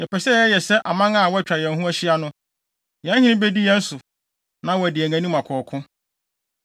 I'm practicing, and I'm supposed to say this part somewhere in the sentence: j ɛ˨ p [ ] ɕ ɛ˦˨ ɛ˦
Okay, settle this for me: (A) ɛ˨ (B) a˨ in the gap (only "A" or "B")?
A